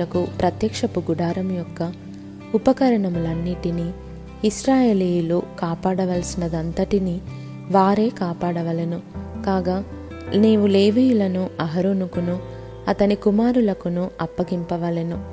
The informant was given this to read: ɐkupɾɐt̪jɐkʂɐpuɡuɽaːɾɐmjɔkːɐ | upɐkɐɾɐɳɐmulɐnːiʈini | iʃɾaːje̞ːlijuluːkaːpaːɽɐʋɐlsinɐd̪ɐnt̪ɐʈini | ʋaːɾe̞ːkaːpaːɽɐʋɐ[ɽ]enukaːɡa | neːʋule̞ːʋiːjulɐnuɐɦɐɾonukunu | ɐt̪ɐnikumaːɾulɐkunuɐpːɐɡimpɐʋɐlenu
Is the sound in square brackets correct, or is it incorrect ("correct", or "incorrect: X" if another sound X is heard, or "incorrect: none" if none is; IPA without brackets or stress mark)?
incorrect: l